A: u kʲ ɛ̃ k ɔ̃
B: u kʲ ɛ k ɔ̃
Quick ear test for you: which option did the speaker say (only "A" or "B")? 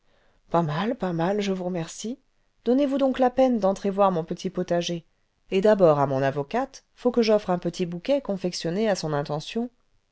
B